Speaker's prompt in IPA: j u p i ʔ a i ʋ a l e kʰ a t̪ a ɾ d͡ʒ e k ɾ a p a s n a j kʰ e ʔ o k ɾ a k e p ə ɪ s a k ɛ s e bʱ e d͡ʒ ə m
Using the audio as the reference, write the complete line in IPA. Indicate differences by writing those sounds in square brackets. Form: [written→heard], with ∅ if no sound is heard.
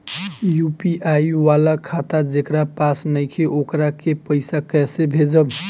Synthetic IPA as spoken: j u p i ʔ a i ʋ a l [e→a] kʰ a t̪ a [ɾ→∅] d͡ʒ e k ɾ a p a s n [a→ə] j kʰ e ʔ o k ɾ a k e p ə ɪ s a k ɛ s e bʱ e d͡ʒ ə [m→b]